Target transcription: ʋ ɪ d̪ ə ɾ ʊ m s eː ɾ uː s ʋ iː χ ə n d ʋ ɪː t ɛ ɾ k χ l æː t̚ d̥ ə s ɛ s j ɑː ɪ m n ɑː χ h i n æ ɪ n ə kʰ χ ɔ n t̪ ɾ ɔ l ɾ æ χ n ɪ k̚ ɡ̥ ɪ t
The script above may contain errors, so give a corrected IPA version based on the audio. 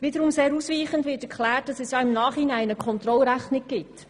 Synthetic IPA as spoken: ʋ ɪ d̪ ə ɾ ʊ m s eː ɾ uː s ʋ iː χ ə n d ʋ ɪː t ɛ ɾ k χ l æː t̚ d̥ ɑ s ɛ s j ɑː ɪ m n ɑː χ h i n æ ɪ n ə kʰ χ ɔ n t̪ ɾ ɔ l ɾ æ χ n ɪ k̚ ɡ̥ ɪ t